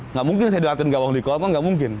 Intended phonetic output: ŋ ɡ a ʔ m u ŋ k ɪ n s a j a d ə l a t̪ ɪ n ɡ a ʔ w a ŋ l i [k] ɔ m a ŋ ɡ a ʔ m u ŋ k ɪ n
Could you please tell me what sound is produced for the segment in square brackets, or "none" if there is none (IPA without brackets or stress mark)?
k